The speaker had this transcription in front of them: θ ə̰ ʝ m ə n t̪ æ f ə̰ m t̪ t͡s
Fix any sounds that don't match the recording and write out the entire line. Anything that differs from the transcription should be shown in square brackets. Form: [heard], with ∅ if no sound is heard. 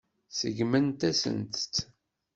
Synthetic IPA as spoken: [s] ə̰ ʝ m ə n t̪ æ [s] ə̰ [n] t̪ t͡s